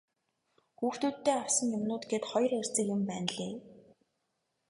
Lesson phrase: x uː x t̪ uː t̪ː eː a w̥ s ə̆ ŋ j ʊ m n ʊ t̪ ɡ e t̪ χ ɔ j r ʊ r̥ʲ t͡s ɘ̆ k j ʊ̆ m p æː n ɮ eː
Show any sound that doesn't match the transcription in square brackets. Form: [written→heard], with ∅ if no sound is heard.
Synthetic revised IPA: x uː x t̪ uː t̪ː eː a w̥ s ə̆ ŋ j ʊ m n [ʊ→ʊː] t̪ ɡ e t̪ χ ɔ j r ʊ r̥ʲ t͡s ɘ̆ k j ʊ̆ m p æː n ɮ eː